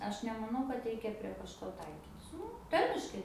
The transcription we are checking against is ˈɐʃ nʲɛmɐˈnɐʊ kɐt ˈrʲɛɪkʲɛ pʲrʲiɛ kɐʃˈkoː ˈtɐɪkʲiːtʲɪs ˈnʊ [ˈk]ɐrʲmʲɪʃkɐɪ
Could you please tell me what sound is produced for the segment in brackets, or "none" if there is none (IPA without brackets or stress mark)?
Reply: t